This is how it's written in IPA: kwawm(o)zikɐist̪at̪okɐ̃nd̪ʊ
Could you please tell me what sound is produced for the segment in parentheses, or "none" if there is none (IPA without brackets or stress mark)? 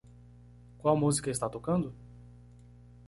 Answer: u